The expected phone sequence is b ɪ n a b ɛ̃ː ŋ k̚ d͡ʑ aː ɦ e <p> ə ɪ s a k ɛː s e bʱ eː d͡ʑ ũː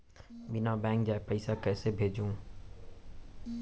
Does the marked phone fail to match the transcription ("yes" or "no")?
no